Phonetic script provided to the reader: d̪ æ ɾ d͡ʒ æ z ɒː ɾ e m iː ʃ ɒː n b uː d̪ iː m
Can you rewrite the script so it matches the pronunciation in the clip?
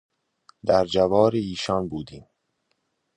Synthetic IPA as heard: d̪ æ ɾ d͡ʒ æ v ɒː ɾ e iː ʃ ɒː n b uː d̪ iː m